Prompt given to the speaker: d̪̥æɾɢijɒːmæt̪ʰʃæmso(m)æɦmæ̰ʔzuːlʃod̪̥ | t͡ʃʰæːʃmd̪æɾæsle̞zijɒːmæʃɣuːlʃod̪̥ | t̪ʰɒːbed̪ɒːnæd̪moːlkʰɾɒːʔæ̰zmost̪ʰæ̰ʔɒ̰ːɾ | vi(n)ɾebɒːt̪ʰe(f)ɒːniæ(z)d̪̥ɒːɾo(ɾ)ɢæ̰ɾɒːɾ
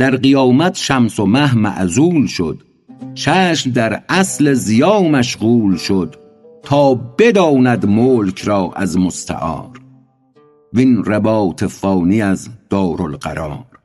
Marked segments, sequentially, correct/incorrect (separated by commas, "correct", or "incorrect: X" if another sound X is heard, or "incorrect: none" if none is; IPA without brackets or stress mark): correct, correct, correct, correct, incorrect: l